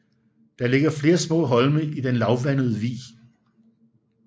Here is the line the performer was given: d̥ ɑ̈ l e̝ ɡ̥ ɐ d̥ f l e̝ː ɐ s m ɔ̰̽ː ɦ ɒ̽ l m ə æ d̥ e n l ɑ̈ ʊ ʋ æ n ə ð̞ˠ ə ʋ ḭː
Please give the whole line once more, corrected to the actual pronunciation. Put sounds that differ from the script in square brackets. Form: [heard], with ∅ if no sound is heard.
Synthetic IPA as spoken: d̥ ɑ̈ l e̝ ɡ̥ ɐ [∅] f l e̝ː ɐ s m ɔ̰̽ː ɦ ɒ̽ l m ə [i] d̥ e n l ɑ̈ ʊ ʋ æ n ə ð̞ˠ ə ʋ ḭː